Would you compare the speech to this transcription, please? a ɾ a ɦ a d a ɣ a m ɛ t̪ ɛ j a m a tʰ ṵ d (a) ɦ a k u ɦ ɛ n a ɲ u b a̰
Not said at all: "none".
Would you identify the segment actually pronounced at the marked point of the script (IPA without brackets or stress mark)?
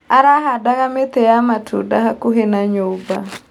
a